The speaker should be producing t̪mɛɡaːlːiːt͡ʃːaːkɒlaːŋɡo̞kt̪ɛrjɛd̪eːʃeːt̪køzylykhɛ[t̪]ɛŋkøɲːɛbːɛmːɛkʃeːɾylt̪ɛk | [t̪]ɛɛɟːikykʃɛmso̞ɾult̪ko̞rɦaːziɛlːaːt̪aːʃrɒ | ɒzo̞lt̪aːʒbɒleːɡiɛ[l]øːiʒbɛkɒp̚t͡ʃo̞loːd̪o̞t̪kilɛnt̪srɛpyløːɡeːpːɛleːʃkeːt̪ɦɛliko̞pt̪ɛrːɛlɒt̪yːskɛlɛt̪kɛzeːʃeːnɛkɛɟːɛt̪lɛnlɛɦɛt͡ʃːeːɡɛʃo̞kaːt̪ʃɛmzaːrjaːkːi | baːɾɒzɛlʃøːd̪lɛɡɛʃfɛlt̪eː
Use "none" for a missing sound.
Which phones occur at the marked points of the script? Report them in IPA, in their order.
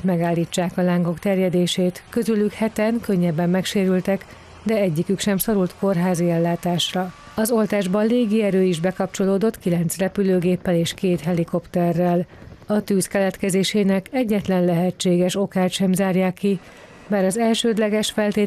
t̪, d̪, ɾ

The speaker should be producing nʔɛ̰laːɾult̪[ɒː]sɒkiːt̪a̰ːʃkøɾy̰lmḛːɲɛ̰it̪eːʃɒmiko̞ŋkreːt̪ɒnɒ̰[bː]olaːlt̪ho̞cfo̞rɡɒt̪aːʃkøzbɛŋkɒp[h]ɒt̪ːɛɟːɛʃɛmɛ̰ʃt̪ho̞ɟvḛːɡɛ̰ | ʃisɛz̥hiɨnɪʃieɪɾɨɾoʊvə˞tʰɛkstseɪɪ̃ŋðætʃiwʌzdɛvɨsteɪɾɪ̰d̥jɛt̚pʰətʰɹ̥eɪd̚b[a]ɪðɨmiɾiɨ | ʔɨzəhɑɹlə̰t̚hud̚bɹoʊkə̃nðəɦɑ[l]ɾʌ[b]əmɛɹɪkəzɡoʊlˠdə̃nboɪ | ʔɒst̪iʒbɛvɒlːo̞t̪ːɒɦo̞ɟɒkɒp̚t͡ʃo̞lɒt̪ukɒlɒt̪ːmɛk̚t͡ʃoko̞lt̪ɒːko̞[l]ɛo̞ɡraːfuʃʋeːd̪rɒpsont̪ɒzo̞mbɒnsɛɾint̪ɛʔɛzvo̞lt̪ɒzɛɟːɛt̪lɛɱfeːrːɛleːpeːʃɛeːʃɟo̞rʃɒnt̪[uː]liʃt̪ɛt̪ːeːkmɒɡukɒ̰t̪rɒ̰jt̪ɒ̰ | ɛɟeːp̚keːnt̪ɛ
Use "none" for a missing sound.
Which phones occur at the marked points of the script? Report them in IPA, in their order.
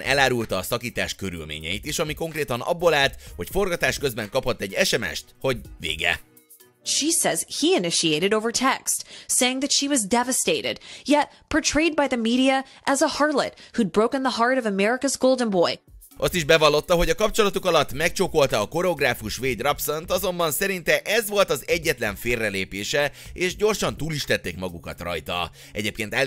ɒː, bː, h, a, ɹ, v, ɾ, uː

